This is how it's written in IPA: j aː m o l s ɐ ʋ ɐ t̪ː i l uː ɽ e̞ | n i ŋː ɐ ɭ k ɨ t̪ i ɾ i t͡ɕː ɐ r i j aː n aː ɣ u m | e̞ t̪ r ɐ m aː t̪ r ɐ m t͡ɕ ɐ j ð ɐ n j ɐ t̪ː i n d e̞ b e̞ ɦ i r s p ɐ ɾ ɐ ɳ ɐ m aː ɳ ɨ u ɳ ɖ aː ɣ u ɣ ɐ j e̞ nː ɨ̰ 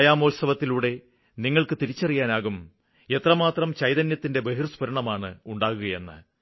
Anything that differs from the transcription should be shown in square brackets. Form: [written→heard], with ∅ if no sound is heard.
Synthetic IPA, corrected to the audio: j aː m o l s ɐ ʋ ɐ t̪ː i l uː ɽ e̞ | n i ŋː ɐ ɭ k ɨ t̪ i ɾ i t͡ɕː ɐ r i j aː n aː ɣ u m | e̞ t̪ r ɐ m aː t̪ r ɐ m t͡ɕ ɐ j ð ɐ n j ɐ t̪ː i n d e̞ b e̞ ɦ i r s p ɐ ɾ ɐ ɳ ɐ m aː ɳ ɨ u ɳ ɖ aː ɣ u ɣ ɐ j e̞ nː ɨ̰